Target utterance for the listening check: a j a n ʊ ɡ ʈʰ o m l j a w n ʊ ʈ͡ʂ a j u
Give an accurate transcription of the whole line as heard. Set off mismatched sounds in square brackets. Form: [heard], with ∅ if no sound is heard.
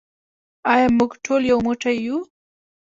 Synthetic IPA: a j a [m] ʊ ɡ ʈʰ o [∅] l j a w [m] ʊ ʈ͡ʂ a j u